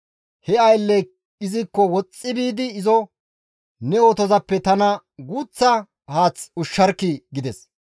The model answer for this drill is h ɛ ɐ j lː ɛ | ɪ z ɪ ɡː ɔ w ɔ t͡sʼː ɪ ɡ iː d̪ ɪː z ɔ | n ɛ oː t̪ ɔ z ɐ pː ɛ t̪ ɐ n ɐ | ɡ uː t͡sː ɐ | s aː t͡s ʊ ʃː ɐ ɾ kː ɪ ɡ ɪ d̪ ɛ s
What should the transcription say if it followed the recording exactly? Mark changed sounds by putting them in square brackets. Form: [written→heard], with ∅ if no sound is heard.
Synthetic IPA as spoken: h ɛ ɐ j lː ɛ | ɪ z ɪ [ɡː→kː] ɔ w ɔ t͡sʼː ɪ [ɡ→b] iː d̪ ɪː z ɔ | n ɛ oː t̪ ɔ z ɐ pː ɛ t̪ ɐ n ɐ | ɡ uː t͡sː ɐ | [s→h] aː t͡s ʊ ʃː ɐ ɾ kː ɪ ɡ ɪ d̪ ɛ s